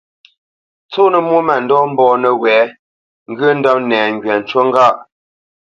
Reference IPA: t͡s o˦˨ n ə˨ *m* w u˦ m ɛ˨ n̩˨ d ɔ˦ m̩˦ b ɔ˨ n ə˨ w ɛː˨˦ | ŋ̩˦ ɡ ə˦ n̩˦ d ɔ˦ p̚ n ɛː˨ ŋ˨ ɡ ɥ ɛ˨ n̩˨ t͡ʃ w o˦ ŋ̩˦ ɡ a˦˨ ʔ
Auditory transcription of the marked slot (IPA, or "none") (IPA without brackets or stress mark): m